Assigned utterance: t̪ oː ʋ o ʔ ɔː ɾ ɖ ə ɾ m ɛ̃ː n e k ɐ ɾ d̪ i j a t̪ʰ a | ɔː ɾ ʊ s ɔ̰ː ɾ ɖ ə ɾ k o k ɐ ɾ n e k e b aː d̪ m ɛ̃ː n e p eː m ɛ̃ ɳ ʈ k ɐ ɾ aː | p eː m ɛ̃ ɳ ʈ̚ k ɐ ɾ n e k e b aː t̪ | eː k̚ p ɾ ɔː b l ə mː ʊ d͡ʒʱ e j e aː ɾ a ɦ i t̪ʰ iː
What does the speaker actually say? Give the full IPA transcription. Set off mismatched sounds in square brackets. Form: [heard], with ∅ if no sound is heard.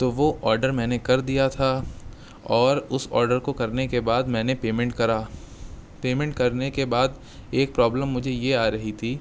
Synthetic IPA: t̪ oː ʋ o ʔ ɔː ɾ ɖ ə ɾ m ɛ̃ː n e k ɐ ɾ d̪ i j a t̪ʰ a | ɔː ɾ ʊ s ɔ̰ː ɾ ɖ ə ɾ k o k ɐ ɾ n e k e b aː d̪ m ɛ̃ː n e p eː m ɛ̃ ɳ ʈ k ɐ ɾ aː | p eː m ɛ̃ ɳ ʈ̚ k ɐ ɾ n e k e b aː [d̪] | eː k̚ p ɾ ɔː b l ə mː ʊ d͡ʒʱ e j e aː ɾ [ɐ] ɦ i t̪ʰ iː